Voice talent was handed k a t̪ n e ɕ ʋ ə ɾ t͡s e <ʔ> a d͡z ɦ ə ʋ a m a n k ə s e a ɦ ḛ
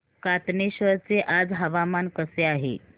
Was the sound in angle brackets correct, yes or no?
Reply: yes